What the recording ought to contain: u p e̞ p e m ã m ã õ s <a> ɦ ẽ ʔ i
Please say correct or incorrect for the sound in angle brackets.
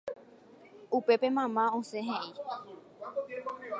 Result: incorrect